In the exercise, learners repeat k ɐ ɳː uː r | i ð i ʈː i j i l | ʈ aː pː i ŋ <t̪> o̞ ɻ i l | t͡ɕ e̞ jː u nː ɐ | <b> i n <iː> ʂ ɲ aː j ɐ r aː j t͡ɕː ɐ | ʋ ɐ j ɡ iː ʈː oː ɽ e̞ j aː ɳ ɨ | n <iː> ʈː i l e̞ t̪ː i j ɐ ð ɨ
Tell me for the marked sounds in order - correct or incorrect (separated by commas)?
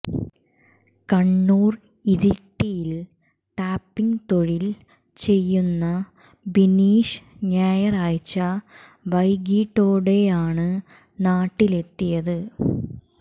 correct, correct, correct, incorrect